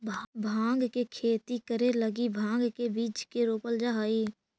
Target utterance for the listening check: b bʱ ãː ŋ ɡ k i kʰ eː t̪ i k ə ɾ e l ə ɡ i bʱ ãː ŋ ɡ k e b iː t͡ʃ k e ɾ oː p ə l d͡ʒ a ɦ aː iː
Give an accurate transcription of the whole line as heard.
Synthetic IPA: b bʱ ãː ŋ ɡ k e kʰ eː t̪ i k ə ɾ e l ə ɡ i bʱ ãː ŋ ɡ k e b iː t͡ʃ k e ɾ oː p ə l d͡ʒ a ɦ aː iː